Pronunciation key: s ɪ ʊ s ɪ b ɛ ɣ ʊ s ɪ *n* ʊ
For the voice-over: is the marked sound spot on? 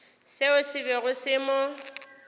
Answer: no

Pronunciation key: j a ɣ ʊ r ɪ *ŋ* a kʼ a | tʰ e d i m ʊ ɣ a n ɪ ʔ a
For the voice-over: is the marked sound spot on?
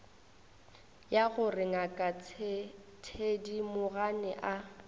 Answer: yes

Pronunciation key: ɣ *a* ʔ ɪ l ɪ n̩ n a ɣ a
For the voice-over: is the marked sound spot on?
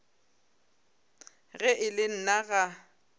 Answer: no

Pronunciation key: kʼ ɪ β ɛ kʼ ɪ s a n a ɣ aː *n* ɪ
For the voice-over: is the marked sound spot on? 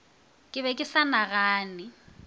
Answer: yes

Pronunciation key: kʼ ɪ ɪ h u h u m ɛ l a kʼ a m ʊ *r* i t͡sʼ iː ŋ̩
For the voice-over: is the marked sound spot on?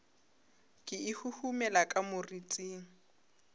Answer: yes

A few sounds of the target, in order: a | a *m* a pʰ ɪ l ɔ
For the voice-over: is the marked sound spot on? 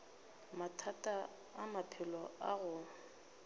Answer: yes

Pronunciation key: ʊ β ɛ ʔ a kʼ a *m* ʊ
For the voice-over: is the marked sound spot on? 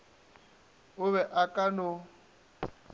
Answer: no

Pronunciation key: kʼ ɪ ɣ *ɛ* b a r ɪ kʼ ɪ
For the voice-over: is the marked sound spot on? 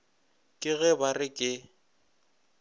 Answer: yes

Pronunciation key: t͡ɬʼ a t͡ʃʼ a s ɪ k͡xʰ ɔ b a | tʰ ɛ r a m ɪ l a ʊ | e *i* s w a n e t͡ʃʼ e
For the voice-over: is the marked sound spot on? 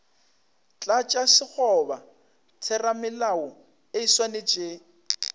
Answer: yes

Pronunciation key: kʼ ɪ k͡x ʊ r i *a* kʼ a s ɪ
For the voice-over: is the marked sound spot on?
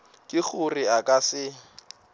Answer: yes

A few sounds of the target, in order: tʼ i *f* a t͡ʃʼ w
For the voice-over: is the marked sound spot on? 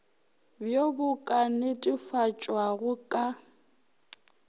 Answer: yes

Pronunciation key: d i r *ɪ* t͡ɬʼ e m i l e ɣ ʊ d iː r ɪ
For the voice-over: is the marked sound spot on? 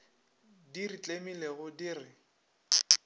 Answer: no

